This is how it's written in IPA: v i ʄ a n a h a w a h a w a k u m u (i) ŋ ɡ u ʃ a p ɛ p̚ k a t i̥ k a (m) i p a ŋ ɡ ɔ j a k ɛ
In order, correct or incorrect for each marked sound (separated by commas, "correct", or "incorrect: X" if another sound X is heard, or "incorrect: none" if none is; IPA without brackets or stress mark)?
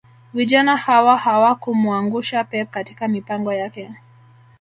incorrect: a, correct